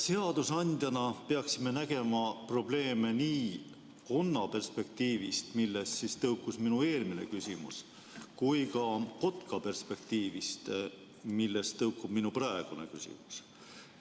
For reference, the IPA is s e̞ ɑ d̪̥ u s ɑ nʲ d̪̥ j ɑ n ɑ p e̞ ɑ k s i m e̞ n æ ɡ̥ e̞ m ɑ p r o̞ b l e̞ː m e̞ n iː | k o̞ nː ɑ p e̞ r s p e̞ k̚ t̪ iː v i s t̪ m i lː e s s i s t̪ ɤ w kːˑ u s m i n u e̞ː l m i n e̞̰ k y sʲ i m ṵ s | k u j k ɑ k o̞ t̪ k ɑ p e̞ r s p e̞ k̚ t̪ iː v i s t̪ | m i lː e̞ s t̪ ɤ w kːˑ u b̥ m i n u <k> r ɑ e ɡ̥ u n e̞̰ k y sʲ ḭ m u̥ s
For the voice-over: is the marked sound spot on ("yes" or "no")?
no